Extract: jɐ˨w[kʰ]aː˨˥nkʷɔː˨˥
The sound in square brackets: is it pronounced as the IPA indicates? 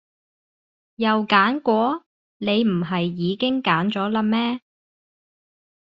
no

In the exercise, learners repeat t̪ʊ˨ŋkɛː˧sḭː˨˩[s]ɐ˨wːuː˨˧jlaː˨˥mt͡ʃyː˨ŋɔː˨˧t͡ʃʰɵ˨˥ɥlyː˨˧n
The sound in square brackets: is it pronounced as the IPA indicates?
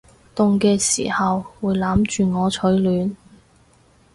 no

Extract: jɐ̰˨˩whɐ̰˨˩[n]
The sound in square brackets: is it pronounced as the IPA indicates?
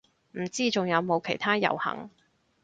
no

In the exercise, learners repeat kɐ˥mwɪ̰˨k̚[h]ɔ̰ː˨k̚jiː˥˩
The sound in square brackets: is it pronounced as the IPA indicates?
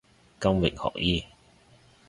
yes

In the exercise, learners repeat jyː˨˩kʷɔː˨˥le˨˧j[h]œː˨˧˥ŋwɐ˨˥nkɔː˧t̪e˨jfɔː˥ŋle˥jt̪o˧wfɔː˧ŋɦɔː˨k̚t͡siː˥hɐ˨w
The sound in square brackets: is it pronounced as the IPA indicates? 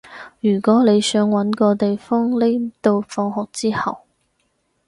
no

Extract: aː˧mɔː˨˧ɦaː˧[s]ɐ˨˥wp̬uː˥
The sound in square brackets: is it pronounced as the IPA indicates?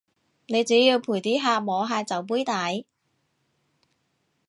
no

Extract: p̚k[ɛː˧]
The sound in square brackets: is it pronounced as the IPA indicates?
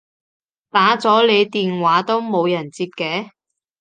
no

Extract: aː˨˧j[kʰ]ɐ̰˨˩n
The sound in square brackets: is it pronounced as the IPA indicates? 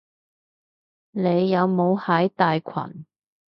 yes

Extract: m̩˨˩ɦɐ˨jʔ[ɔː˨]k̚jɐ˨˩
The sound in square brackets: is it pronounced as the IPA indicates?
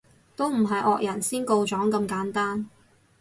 yes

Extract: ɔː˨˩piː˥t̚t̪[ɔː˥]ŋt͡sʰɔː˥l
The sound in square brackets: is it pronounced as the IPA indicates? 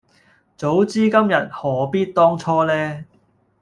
yes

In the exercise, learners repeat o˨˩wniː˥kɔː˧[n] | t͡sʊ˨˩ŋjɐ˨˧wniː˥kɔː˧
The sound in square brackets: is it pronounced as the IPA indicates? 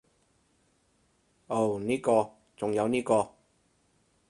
no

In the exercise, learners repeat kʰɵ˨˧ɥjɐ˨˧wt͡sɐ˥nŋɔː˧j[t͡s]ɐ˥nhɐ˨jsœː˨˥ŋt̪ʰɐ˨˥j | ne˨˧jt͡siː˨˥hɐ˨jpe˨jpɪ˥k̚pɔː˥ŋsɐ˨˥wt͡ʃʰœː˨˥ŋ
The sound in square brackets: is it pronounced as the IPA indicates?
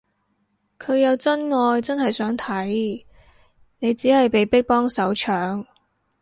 yes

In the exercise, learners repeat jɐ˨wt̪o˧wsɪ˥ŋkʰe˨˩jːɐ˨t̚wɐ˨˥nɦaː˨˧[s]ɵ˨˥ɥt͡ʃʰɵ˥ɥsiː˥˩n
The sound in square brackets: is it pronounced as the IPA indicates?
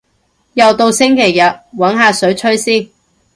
yes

